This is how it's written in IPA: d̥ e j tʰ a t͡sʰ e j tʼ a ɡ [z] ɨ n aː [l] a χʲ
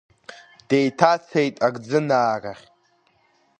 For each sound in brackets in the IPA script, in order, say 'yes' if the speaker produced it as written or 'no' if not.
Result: no, no

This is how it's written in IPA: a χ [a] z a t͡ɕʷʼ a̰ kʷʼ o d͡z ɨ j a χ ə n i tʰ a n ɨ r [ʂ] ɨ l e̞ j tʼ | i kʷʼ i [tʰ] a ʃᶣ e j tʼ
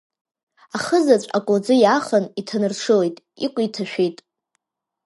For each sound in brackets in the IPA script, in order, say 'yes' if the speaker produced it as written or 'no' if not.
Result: no, yes, yes

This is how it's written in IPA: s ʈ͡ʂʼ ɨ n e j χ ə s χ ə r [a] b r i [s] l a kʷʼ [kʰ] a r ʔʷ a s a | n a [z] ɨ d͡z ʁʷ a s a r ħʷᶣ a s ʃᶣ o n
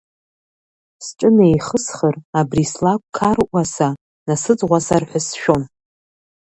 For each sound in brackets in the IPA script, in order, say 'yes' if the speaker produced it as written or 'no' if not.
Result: yes, yes, yes, no

